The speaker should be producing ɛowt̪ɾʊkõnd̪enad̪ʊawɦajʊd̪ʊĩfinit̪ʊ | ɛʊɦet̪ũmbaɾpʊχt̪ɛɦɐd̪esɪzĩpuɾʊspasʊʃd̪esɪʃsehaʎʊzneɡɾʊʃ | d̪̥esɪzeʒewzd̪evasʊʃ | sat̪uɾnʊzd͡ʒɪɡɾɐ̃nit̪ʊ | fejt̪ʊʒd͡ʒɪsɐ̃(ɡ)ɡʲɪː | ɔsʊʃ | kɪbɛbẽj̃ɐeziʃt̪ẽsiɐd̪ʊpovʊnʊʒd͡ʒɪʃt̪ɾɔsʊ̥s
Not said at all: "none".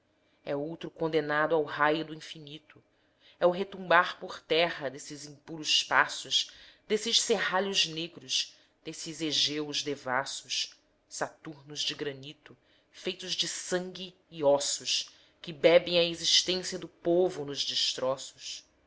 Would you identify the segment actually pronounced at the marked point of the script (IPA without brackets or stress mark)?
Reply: ŋ